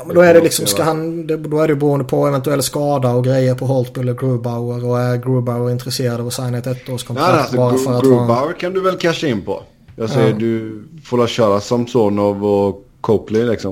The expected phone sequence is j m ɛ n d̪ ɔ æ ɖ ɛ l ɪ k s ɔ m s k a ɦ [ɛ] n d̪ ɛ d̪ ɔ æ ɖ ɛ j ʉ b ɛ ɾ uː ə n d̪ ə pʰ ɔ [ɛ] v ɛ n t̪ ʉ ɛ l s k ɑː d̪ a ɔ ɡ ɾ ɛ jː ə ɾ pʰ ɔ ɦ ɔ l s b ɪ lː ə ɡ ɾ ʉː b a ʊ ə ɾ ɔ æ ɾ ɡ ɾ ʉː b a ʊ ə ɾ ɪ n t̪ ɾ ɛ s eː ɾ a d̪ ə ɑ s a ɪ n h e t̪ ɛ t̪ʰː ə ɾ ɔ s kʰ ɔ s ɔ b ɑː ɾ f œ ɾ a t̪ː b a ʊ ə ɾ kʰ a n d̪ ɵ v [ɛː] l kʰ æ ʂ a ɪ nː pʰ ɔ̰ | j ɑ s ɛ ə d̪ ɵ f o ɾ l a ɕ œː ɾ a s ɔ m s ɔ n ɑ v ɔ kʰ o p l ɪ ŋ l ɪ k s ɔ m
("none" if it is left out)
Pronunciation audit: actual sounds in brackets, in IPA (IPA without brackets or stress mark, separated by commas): a, ɛ, ɛ